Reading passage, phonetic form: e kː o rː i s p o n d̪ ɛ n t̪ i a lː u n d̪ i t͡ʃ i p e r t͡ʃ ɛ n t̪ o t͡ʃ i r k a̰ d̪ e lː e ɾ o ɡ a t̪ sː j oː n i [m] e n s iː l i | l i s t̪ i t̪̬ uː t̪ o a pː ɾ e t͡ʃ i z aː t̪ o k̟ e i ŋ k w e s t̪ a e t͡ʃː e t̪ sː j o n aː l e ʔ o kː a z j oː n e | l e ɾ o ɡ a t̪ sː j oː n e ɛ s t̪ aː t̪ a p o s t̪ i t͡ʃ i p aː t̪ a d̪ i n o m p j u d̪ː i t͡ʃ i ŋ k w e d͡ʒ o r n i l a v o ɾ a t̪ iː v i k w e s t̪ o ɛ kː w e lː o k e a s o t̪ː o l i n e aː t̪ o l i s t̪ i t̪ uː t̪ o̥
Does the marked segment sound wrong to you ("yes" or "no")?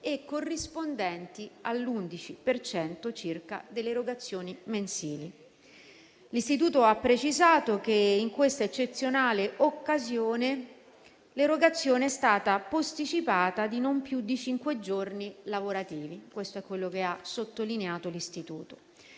no